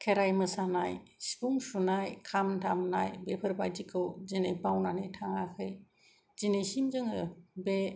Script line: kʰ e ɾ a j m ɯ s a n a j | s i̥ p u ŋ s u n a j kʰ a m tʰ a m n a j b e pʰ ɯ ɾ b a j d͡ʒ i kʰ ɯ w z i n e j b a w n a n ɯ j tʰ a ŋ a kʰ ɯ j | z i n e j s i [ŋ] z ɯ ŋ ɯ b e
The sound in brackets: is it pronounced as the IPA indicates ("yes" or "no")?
no